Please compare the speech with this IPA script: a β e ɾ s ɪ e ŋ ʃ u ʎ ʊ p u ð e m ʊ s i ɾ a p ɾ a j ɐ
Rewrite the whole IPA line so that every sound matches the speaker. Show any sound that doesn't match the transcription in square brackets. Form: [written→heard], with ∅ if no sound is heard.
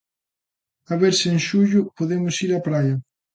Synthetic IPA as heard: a β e ɾ s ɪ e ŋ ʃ u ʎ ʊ p [u→o] ð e m ʊ s i ɾ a p ɾ a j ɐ